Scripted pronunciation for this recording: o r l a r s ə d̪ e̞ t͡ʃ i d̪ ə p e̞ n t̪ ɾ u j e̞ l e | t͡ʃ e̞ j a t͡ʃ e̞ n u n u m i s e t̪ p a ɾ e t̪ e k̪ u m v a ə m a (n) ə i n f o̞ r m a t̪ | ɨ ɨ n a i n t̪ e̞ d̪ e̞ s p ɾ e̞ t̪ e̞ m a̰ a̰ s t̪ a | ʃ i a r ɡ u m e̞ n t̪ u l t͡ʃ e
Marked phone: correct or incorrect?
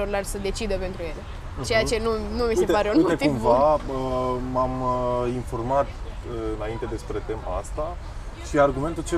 incorrect